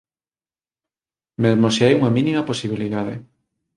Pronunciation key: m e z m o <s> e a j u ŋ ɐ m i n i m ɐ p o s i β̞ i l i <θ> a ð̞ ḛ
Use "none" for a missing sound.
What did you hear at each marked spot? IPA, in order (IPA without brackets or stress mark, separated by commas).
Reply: s, ð